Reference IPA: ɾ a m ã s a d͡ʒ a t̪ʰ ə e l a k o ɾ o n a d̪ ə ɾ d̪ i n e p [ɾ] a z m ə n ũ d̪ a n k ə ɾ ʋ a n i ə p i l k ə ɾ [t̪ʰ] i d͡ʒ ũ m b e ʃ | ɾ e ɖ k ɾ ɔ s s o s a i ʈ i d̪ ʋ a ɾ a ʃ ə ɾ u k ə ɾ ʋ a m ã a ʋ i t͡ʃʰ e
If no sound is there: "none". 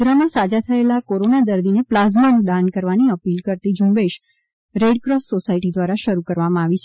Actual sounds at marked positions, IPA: l, t̪

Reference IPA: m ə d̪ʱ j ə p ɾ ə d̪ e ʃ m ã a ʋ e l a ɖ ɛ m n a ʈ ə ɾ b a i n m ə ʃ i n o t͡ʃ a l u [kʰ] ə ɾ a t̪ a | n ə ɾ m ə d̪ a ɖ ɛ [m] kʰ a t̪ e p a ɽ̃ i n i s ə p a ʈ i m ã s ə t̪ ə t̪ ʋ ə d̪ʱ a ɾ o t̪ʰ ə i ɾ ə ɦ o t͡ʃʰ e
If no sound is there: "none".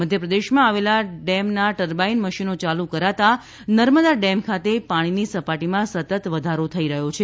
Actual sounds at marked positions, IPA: k, m

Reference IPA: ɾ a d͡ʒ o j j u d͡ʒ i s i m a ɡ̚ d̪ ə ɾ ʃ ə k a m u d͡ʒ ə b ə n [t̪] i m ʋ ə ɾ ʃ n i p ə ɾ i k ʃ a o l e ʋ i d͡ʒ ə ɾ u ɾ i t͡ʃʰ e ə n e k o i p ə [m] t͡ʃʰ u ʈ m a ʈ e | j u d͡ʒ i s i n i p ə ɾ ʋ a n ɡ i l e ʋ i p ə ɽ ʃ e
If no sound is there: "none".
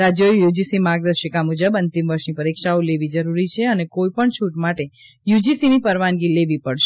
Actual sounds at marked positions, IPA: t̪, ɳ

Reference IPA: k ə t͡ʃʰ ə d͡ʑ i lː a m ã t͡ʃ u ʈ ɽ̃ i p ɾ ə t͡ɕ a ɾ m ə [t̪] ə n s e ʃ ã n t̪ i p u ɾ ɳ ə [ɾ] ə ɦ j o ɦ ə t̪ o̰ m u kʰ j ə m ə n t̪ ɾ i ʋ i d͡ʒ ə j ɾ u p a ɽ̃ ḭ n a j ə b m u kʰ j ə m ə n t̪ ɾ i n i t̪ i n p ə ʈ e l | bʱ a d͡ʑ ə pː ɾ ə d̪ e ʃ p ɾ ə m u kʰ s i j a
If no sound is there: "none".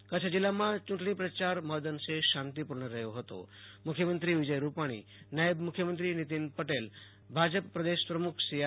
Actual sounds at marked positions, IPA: d̪, ɾ

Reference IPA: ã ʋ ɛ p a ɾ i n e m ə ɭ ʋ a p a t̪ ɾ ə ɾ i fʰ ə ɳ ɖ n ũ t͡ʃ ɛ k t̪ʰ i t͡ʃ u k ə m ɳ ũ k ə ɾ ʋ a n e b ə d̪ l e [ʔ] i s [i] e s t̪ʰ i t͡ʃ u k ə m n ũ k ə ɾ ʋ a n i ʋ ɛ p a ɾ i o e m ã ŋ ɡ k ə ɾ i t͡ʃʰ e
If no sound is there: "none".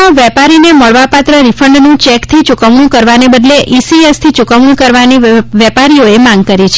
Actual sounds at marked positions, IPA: ʔ, i

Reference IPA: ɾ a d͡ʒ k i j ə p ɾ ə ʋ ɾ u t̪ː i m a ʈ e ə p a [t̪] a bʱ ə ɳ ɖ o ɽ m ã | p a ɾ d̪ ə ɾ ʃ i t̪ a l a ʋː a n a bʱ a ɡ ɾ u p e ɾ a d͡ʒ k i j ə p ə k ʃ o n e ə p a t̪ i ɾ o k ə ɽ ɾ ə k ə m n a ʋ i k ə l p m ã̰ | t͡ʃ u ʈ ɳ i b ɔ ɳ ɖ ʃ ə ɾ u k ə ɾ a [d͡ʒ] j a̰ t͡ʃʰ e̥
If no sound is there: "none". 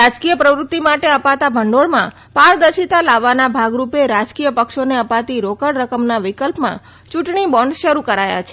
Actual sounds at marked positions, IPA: t̪, none

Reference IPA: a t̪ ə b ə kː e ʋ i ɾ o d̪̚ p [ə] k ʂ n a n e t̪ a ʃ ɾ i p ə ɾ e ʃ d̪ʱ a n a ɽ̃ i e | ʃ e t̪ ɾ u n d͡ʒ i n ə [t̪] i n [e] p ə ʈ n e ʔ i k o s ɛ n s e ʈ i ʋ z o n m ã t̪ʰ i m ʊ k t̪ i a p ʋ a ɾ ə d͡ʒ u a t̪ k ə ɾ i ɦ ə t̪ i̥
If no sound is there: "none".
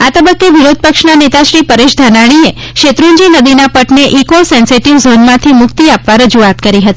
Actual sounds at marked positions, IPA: ə, d̪, a

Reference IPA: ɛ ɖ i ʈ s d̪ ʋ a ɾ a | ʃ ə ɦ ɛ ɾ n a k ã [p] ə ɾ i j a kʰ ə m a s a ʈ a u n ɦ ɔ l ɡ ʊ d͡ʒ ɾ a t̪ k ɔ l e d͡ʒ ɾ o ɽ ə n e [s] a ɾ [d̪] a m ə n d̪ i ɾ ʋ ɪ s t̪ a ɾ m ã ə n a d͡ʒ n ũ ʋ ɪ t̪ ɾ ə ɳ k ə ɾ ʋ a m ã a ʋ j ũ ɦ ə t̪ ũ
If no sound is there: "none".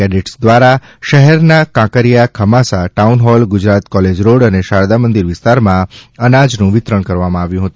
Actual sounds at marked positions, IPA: k, ʃ, d̪

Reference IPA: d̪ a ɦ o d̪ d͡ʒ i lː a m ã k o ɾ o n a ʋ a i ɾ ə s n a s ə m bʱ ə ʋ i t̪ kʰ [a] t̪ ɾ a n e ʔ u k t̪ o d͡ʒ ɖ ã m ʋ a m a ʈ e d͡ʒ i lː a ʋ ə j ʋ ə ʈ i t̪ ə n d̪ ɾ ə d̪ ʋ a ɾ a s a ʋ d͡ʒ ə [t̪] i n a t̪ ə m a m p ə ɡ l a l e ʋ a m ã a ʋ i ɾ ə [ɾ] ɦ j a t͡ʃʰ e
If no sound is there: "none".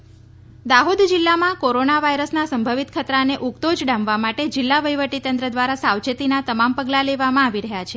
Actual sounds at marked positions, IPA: ə, t̪, none

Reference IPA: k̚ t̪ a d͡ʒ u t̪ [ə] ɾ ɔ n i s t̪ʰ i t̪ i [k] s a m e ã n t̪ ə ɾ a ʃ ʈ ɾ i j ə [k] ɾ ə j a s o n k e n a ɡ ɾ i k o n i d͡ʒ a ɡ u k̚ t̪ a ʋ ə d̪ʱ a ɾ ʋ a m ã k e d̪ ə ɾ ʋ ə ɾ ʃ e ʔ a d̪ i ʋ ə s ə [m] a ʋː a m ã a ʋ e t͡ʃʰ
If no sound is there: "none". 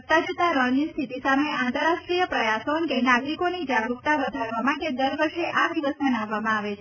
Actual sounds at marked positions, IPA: a, none, p, n

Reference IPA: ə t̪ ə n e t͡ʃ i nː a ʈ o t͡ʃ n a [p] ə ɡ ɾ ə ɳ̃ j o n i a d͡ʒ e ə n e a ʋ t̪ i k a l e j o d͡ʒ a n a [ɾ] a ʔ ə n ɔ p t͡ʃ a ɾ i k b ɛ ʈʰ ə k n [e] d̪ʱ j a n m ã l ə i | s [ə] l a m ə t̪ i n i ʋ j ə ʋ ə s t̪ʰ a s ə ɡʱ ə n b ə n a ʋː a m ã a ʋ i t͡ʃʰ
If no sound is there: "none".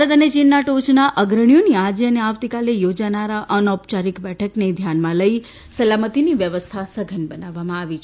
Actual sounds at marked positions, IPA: ʔ, ɾ, e, ə

